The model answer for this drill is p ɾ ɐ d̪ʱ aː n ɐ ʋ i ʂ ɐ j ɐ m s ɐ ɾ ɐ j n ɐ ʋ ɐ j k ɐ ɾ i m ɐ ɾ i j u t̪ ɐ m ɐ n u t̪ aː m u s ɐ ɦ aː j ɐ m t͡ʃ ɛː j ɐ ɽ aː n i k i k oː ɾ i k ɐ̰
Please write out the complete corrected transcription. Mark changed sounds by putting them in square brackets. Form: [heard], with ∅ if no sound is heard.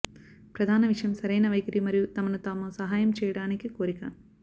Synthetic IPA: p ɾ ɐ d̪ʱ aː n ɐ ʋ i ʂ ɐ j ɐ m s ɐ ɾ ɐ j n ɐ ʋ ɐ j k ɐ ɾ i m ɐ ɾ i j u t̪ ɐ m ɐ n u t̪ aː m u s ɐ ɦ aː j ɐ m t͡ʃ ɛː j ɐ ɽ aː n i k i k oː ɾ i k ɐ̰